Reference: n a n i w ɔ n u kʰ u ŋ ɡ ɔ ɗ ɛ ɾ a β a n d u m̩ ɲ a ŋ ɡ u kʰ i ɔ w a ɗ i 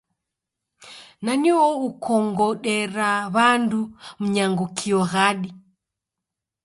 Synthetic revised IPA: n a n i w ɔ u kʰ ɔ ŋ ɡ ɔ ɗ ɛ ɾ a β a n d u m̩ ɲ a ŋ ɡ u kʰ i ɔ ɣ a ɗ i